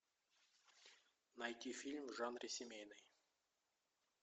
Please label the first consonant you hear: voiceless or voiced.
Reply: voiced